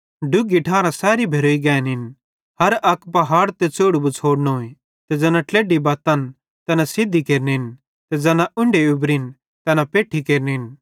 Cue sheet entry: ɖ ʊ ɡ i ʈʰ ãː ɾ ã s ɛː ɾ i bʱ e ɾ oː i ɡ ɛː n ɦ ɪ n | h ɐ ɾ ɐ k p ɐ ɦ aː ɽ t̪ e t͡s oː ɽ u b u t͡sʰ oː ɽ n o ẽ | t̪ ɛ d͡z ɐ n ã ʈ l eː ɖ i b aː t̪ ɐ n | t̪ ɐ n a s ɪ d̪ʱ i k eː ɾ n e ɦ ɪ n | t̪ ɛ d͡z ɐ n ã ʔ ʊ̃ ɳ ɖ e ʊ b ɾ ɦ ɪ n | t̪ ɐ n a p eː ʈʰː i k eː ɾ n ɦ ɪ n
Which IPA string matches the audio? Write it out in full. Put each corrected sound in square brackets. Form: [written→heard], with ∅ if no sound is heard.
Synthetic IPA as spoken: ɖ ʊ ɡ i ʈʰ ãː ɾ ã s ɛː ɾ i bʱ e ɾ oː i ɡ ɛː n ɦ ɪ n | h ɐ ɾ ɐ k p ɐ ɦ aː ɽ t̪ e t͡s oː ɽ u b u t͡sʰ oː ɽ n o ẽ | t̪ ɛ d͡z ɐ n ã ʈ l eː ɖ i b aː t̪ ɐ n | t̪ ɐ n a s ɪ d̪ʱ i k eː ɾ n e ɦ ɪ n | t̪ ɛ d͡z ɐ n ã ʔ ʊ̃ ɳ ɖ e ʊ b ɾ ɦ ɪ n | t̪ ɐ n a p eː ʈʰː i k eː ɾ n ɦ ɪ n